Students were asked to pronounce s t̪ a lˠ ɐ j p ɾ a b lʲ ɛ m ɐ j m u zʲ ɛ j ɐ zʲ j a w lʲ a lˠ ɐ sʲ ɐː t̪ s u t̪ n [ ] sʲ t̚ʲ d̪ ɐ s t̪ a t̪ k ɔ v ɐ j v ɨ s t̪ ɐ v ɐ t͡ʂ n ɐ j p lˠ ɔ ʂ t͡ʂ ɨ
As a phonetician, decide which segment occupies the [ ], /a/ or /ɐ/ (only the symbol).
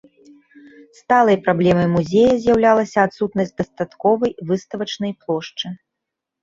ɐ